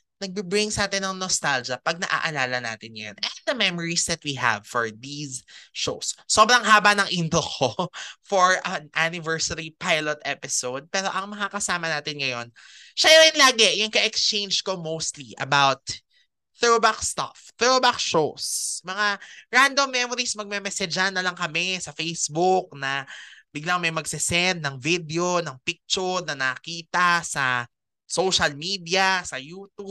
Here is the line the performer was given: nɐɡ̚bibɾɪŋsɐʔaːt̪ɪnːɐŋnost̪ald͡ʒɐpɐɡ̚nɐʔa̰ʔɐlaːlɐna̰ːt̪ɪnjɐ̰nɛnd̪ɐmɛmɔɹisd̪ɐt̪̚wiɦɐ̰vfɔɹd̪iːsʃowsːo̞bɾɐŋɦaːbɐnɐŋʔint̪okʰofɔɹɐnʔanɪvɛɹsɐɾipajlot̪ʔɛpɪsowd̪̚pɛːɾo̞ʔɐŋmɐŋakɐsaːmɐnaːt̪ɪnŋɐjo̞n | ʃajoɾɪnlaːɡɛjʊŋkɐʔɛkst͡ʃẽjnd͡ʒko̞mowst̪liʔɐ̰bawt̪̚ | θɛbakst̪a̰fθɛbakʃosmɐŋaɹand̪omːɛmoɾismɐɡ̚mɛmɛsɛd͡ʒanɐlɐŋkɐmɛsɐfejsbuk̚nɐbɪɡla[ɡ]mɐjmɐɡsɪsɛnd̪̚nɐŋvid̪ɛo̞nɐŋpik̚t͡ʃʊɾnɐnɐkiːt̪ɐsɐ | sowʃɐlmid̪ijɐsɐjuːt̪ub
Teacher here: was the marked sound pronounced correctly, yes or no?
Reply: no